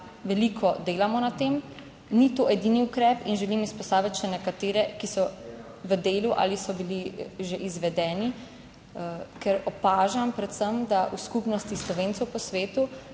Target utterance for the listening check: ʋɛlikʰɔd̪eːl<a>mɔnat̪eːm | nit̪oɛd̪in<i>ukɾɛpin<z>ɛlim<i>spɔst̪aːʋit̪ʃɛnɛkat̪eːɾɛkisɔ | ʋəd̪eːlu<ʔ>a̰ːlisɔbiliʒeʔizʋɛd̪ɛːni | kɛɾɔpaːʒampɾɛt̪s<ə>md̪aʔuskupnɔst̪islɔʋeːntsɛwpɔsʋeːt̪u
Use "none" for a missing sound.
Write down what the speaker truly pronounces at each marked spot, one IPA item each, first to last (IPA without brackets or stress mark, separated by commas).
a, i, ʒ, i, ʔ, ə